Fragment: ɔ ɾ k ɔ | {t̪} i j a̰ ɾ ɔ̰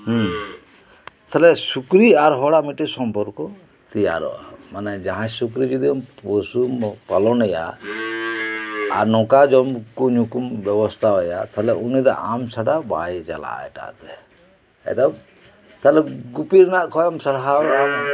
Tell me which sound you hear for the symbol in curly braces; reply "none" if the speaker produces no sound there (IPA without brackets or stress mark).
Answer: t̪